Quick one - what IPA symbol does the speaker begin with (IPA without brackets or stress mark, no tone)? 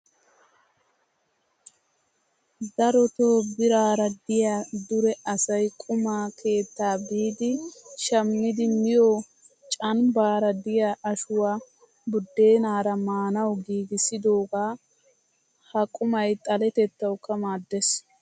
d̪